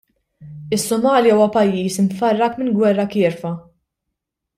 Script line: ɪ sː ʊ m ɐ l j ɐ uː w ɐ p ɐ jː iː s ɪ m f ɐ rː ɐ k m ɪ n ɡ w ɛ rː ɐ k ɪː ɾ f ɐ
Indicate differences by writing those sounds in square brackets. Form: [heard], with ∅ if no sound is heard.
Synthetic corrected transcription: ɪ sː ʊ m [ɐː] l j ɐ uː w ɐ p ɐ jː iː s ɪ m f ɐ rː ɐ k m ɪ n ɡ w ɛ rː ɐ k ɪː ɾ f ɐ